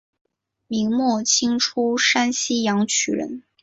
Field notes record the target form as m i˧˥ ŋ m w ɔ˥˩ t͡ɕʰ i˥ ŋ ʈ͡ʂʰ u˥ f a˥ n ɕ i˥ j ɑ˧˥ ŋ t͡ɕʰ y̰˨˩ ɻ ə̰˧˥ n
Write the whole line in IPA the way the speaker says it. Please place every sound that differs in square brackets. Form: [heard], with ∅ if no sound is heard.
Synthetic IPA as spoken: m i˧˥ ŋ m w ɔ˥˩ t͡ɕʰ i˥ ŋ ʈ͡ʂʰ u˥ [ʂ] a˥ n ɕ i˥ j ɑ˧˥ ŋ t͡ɕʰ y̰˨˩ ɻ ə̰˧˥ n